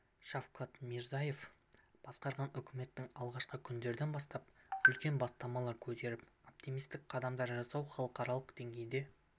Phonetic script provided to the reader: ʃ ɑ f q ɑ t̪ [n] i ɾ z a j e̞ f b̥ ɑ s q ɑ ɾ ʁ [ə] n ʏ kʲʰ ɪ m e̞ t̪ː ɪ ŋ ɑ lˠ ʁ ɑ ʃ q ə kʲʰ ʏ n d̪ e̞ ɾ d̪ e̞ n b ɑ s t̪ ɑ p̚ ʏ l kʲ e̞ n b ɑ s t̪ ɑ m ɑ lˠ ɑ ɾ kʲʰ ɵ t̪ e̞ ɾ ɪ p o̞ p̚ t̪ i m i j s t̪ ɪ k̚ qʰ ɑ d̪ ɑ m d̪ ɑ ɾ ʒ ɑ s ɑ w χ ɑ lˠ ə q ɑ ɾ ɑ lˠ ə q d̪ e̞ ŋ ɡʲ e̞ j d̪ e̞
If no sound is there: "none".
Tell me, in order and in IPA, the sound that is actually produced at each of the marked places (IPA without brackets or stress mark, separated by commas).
m, ɑ